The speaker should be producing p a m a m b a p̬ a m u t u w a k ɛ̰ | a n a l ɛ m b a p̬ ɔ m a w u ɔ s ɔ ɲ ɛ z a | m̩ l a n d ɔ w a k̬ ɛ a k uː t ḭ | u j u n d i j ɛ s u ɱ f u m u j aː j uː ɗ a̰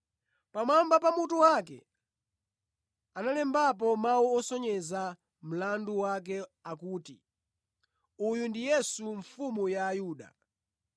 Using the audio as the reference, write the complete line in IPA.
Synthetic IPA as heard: p a m a m b a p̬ a m u t u w a k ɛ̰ | a n a l ɛ m b a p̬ ɔ m a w u ɔ s ɔ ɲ ɛ z a | m̩ l a n d u w a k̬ ɛ a k uː t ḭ | u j u n d i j ɛ s u ɱ f u m u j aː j uː ɗ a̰